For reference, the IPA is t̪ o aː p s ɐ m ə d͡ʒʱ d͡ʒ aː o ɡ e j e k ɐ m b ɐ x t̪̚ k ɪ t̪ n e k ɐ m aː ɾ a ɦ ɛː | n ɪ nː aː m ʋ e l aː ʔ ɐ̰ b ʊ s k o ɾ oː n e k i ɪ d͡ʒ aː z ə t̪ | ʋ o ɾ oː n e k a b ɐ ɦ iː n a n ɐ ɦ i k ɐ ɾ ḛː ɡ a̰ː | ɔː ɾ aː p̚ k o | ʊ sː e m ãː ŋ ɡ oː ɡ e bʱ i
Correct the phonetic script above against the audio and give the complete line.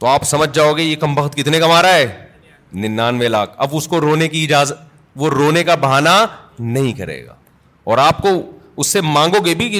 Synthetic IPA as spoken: t̪ o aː p s ɐ m ə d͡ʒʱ d͡ʒ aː o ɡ e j e k ɐ m b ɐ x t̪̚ k ɪ t̪ n e k ɐ m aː ɾ a ɦ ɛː | n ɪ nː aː n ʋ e l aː k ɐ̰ b ʊ s k o ɾ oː n e k i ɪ d͡ʒ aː z ə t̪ | ʋ o ɾ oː n e k a b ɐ ɦ aː n a n ɐ ɦ ĩ k ɐ ɾ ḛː ɡ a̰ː | ɔː ɾ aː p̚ k o | ʊ sː e m ãː ŋ ɡ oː ɡ e bʱ i